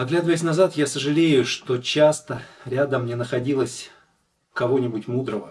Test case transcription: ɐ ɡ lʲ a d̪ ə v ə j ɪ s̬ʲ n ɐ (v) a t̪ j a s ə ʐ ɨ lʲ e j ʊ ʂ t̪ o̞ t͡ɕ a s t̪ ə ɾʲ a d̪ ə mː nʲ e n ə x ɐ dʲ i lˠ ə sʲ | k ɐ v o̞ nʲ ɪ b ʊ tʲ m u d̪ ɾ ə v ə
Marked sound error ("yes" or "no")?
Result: yes